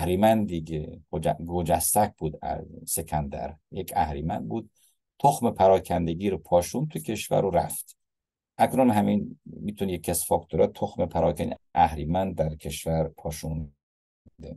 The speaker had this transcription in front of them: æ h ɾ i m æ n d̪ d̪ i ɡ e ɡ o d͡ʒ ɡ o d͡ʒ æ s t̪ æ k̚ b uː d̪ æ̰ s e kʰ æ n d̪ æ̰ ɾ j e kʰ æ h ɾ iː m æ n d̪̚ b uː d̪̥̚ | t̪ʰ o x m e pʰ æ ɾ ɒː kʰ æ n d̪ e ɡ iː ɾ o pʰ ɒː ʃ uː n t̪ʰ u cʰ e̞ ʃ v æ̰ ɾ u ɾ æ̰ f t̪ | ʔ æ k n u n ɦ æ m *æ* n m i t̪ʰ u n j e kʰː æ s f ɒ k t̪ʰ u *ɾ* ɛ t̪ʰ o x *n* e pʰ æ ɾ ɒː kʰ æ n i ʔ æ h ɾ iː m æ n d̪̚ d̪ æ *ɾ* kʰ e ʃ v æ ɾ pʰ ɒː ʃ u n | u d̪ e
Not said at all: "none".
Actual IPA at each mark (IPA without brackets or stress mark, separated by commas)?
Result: i, ɾ, m, ɾ